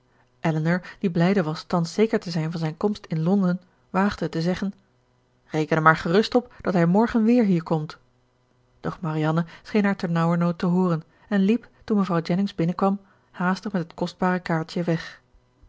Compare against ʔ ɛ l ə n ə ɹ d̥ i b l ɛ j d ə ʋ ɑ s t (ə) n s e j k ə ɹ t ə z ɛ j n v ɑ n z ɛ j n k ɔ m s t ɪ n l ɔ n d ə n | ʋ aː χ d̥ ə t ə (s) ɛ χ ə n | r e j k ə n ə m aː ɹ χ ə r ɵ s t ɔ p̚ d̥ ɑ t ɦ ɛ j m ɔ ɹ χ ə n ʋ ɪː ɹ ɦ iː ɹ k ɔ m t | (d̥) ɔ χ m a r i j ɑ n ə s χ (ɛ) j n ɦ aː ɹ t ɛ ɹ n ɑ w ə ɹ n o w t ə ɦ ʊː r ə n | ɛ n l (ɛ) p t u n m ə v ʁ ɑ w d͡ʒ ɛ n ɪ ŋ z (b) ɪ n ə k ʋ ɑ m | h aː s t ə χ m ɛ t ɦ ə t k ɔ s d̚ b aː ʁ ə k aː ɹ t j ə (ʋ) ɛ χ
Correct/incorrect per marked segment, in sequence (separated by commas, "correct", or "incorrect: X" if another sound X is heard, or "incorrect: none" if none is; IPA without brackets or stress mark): incorrect: ɑ, incorrect: z, correct, incorrect: e, incorrect: i, correct, correct